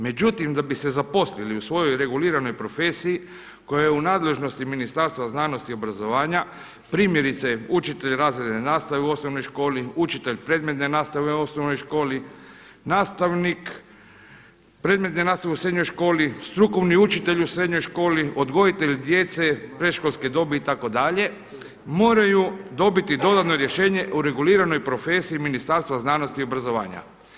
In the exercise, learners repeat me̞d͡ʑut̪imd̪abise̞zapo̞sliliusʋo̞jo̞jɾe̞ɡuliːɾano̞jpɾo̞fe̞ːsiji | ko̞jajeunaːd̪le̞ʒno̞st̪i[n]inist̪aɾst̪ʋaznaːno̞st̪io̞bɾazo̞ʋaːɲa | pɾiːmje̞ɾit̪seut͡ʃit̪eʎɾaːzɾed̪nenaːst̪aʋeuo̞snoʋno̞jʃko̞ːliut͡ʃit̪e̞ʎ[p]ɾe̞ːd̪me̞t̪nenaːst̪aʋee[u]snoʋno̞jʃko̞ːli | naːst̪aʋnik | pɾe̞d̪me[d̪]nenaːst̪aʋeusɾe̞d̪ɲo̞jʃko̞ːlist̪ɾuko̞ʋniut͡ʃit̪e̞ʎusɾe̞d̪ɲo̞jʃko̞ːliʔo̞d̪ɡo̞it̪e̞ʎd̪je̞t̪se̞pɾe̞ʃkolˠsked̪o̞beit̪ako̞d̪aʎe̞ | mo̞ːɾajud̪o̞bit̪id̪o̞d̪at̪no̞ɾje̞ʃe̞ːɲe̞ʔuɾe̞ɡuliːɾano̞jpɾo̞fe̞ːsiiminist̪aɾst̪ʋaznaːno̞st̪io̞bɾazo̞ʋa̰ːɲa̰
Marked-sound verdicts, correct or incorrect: incorrect: m, correct, incorrect: o, incorrect: t̪

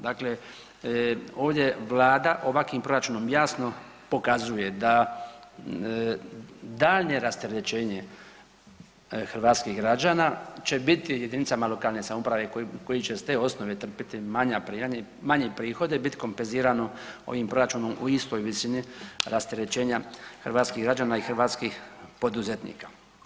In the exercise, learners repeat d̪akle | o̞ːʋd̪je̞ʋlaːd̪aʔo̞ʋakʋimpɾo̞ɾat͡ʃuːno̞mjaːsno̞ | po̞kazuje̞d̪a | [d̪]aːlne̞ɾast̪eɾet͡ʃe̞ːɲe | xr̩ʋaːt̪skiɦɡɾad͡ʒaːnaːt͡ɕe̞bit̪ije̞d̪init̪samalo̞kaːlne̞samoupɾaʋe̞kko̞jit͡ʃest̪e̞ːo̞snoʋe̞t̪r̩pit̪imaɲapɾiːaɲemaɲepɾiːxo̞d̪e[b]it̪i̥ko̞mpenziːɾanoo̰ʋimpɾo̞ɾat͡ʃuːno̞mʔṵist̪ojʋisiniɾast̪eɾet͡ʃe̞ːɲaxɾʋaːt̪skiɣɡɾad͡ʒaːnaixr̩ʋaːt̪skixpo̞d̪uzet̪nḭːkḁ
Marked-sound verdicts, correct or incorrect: correct, correct

